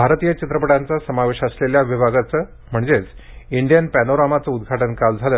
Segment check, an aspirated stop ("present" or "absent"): absent